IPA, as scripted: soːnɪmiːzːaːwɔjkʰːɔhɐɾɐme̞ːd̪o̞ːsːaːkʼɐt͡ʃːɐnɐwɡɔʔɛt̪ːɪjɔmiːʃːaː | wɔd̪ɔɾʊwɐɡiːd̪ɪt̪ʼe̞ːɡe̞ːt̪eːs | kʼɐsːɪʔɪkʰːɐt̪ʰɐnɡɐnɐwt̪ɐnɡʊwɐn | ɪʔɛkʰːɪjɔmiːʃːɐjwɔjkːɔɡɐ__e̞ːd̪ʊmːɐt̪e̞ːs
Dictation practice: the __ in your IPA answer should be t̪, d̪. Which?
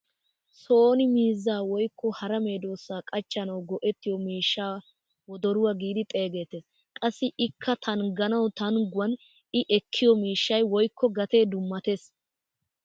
t̪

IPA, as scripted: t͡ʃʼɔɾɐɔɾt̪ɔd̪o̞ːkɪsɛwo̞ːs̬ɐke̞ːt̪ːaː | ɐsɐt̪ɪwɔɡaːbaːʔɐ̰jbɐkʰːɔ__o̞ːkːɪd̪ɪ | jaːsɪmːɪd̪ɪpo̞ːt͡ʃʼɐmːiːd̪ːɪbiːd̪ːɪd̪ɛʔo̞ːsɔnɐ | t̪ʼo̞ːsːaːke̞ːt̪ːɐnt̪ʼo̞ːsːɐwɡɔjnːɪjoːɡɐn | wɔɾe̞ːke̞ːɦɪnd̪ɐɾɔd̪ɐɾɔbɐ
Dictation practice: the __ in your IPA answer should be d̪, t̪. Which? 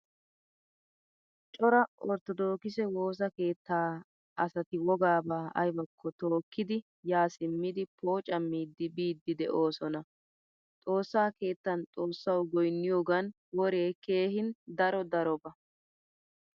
t̪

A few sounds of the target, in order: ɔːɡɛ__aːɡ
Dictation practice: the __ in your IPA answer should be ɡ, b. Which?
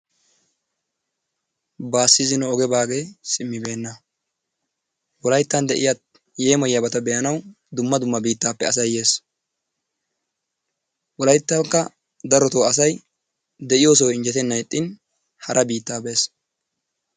b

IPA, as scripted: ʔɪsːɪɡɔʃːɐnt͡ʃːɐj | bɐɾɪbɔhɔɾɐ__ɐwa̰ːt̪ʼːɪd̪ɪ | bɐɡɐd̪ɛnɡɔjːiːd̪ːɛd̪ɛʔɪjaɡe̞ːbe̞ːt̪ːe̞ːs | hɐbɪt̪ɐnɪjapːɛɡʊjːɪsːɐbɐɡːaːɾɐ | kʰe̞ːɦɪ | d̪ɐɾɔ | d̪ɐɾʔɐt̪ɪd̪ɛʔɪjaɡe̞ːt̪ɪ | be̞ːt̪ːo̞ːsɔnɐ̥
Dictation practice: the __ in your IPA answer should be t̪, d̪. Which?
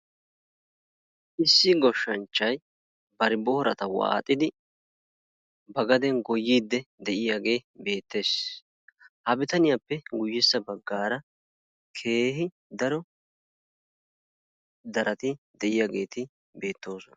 t̪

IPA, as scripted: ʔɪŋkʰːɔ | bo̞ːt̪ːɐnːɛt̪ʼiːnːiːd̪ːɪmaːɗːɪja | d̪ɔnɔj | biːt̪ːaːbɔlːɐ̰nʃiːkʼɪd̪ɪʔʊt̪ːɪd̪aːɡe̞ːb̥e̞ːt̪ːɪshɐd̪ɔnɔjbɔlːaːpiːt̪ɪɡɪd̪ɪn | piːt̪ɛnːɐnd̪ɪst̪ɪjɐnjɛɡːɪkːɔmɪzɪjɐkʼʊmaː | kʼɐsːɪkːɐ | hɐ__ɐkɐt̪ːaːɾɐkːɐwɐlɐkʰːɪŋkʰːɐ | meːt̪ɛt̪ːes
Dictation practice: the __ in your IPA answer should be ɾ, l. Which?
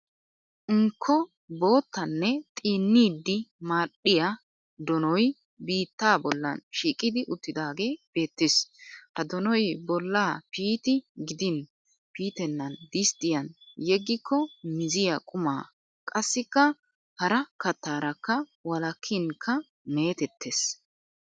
ɾ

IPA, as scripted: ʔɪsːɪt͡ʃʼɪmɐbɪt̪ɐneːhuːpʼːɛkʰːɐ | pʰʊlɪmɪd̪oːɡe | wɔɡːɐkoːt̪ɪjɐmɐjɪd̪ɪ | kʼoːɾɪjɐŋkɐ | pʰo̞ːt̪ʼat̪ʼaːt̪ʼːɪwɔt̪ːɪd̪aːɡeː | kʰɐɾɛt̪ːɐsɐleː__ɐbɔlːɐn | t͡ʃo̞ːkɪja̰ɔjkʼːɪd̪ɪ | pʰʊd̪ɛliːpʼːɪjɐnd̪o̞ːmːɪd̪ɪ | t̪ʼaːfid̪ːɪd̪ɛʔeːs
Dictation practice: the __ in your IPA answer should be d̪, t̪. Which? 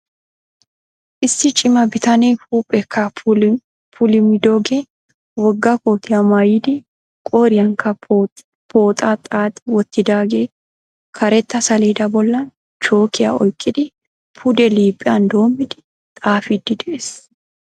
d̪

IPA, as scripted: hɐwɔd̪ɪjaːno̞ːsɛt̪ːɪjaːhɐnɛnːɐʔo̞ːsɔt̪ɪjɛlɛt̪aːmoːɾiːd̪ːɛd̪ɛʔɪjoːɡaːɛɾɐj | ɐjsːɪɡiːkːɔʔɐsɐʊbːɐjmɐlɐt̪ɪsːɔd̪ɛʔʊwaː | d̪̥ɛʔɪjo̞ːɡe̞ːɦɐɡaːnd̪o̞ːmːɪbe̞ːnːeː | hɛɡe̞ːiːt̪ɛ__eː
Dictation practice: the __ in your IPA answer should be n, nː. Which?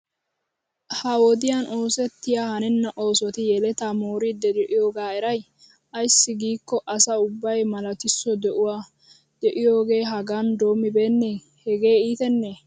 nː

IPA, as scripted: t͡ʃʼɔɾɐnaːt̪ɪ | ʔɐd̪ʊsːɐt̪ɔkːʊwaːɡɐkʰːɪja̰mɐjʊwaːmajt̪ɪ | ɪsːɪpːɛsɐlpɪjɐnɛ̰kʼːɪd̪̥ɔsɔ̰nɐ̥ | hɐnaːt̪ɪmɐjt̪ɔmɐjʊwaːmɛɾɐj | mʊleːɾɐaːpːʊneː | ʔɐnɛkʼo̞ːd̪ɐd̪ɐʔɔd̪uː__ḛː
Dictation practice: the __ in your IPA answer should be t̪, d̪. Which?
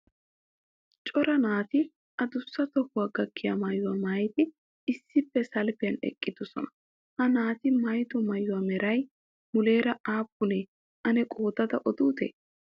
t̪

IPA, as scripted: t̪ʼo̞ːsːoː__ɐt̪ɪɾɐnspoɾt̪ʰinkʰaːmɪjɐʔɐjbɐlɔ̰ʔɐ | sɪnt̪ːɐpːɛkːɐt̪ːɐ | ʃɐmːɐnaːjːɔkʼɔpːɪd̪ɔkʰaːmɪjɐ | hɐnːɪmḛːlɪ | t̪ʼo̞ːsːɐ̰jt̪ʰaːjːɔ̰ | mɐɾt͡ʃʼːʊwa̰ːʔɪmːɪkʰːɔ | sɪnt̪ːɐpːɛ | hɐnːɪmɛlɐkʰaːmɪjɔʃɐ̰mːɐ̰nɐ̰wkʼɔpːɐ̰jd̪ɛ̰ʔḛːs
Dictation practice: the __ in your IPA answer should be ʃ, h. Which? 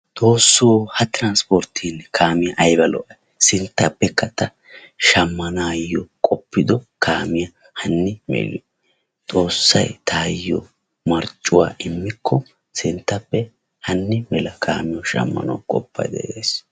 h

